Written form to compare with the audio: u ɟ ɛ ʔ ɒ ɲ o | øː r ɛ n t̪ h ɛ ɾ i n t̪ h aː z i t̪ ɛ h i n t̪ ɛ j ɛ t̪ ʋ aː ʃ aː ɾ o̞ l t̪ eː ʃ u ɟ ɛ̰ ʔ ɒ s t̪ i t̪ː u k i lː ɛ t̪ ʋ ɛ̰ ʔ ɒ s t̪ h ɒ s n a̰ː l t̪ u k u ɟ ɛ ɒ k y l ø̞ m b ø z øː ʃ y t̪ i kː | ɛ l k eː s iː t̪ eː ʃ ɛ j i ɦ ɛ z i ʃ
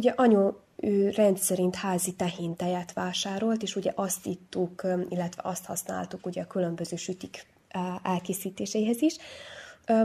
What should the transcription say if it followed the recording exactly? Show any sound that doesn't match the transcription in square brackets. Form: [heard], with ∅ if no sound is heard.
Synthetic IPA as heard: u ɟ ɛ ʔ ɒ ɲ o | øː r ɛ n t̪ [s] ɛ ɾ i n t̪ h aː z i t̪ ɛ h i n t̪ ɛ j ɛ t̪ ʋ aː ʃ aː ɾ o̞ l t̪ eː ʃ u ɟ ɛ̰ ʔ ɒ s t̪ i t̪ː u k i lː ɛ t̪ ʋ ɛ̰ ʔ ɒ s t̪ h ɒ s n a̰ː l t̪ u k u ɟ ɛ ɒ k y l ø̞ m b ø z øː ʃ y t̪ i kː | ɛ l k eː s iː t̪ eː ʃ ɛ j i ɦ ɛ z i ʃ